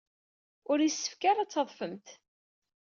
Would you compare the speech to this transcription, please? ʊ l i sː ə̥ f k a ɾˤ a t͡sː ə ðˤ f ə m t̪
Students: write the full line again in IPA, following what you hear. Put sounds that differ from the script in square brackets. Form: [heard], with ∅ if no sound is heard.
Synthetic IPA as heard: ʊ [ɾ] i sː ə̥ f k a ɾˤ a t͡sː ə ðˤ f ə m t̪